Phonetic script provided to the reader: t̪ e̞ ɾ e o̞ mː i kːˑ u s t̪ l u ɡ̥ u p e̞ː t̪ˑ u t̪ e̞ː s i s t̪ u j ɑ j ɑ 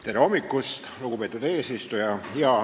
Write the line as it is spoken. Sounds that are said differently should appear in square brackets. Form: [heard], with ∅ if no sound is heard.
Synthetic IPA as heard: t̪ e̞ ɾ e o̞ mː i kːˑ u s t̪ l u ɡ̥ u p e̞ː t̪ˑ u [d̪] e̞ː s i s t̪ u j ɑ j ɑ